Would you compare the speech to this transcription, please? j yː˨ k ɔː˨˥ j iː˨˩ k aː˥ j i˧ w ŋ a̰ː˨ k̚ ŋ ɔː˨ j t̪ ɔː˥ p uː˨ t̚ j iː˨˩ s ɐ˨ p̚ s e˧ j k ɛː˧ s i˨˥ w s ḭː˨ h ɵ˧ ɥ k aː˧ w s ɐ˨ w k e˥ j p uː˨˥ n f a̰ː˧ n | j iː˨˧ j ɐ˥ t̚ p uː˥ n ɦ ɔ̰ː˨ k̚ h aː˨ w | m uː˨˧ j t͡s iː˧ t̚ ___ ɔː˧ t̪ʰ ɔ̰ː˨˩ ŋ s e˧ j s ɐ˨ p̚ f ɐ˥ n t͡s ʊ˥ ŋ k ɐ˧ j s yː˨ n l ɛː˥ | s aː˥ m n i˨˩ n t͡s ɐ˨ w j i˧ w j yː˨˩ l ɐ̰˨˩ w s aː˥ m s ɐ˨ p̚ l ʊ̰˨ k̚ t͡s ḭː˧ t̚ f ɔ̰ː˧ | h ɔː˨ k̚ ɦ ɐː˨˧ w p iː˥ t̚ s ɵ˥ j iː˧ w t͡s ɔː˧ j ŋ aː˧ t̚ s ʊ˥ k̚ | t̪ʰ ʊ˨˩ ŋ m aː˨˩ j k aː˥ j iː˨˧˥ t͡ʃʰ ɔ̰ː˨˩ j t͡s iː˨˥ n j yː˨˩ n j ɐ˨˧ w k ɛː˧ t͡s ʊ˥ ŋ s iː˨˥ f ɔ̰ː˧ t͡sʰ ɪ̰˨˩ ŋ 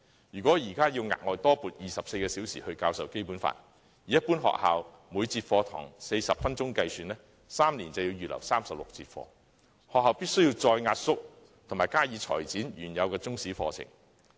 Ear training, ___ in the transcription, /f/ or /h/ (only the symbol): f